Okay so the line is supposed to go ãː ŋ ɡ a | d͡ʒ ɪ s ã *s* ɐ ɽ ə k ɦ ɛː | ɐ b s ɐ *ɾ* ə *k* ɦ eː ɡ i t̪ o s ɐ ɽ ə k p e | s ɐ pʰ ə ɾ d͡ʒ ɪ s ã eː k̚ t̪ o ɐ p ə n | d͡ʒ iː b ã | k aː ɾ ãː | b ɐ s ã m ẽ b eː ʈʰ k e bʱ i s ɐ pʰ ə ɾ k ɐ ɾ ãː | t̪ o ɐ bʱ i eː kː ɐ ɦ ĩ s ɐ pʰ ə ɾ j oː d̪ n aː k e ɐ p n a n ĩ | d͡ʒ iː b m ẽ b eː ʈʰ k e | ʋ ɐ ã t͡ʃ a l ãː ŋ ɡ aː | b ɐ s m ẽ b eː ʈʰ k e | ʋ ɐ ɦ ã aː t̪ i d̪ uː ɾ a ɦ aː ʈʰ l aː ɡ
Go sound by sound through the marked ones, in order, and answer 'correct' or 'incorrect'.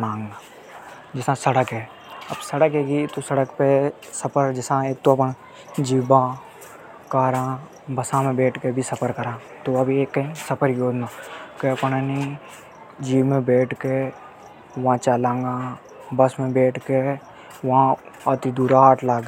correct, incorrect: ɽ, correct

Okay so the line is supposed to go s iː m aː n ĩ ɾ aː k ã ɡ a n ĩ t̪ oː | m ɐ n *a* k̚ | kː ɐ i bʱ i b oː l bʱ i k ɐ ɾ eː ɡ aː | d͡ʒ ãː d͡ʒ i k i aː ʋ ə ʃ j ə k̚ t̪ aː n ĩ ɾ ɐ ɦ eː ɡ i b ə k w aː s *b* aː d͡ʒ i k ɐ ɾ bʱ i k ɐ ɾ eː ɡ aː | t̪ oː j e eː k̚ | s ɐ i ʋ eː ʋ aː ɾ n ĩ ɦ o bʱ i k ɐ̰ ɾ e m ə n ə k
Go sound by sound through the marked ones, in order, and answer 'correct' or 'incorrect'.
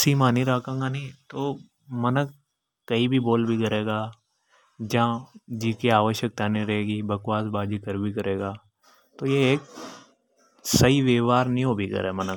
incorrect: ə, correct

